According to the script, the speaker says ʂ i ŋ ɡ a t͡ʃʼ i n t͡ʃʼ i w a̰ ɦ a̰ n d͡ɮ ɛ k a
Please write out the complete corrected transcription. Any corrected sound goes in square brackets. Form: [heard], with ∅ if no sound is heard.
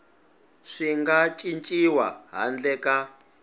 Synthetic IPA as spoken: ʂ i ŋ ɡ a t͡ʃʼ i n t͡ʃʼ i w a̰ ɦ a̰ n d͡ɮ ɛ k a

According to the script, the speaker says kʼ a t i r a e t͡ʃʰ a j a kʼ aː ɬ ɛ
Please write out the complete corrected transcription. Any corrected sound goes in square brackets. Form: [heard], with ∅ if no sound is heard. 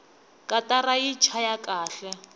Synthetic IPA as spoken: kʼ a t [a] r a [i] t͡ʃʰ a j a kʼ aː ɬ ɛ

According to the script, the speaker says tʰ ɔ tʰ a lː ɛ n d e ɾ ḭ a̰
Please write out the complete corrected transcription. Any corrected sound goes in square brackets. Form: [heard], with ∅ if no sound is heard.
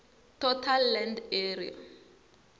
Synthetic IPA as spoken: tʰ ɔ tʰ a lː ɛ n d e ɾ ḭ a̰

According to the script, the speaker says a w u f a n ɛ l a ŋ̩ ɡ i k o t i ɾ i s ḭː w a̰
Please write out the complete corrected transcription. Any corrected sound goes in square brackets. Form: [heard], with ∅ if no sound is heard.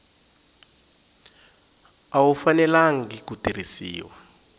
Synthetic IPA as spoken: a w u f a n ɛ l a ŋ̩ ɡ i k [u] t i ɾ i s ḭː w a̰

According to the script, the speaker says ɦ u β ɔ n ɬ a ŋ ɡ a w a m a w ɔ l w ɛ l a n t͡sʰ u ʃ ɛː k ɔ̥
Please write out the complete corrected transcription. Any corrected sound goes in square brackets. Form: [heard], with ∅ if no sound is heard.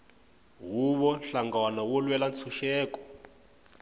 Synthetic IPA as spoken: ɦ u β ɔ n ɬ a ŋ ɡ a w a [n] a w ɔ l w ɛ l a n t͡sʰ u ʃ ɛː k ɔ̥

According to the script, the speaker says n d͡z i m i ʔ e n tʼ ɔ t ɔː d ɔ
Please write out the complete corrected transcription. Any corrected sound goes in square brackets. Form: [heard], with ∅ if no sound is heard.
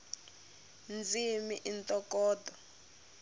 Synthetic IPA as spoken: n d͡z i m i ʔ [i] n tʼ ɔ [k] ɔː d ɔ

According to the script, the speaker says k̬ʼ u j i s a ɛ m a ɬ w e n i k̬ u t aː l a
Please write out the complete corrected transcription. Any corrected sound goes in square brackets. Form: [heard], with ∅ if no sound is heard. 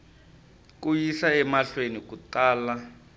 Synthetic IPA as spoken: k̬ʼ u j i s a ɛ m a ɬ w e n i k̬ u t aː l a

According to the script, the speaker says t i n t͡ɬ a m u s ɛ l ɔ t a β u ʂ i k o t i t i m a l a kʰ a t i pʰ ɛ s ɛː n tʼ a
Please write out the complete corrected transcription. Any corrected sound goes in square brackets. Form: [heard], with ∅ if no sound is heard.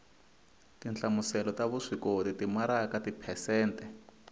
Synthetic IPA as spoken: t i n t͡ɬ a m u s ɛ l ɔ t a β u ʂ i k o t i t i m a [ɾ] a [k] a t i pʰ ɛ s ɛː n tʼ [ɛ]

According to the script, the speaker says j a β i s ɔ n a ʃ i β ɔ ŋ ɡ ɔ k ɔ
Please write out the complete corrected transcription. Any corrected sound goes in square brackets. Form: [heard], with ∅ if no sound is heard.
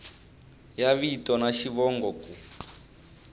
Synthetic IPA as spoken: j a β i [t] ɔ n a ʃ i β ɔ ŋ ɡ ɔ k [u]

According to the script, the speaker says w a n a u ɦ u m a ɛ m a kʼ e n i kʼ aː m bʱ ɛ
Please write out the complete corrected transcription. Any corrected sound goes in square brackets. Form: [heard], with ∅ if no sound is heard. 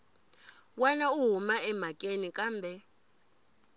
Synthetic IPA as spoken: w a n a u ɦ u m a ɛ m a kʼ e n i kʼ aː m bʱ ɛ

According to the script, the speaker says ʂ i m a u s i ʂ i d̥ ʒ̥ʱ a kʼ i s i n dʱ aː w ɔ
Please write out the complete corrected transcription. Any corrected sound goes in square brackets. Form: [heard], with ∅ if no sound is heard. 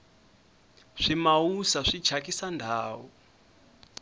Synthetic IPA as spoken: ʂ i m a u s [a] ʂ i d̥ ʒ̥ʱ a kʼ i s [a] n dʱ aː w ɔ

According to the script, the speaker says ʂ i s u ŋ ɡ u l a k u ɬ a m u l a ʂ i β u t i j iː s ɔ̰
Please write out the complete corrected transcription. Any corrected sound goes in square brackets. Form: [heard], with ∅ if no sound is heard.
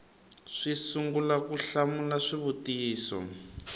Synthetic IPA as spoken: ʂ i s u ŋ ɡ u l a k u ɬ a m u l a ʂ i β u t i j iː s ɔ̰

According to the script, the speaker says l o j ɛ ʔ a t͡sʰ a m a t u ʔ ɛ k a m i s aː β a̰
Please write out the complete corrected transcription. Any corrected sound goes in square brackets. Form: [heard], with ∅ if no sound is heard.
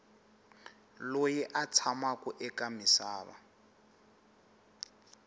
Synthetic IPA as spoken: l o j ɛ ʔ a t͡sʰ a m a [k] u ʔ ɛ k a m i s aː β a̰

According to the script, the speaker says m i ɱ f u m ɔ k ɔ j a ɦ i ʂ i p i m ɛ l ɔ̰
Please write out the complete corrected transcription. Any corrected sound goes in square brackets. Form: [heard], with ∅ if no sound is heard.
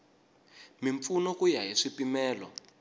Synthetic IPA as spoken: m i ɱ f u [n] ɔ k [u] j a ɦ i ʂ i p i m [ɛː] l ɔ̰

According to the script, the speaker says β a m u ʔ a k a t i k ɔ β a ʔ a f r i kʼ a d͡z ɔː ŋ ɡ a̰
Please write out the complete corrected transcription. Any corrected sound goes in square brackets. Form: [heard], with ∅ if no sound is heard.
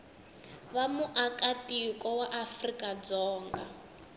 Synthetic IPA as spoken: β a m u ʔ a k a t i k ɔ [w] a ʔ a f r i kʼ a d͡z ɔː ŋ ɡ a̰

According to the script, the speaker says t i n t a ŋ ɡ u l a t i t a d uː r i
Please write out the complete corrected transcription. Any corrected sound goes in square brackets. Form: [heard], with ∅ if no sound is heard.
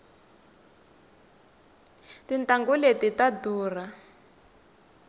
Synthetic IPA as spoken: t i n t a ŋ ɡ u l [e] t i t a d uː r [a]

